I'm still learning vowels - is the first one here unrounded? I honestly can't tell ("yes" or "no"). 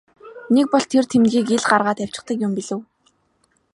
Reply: yes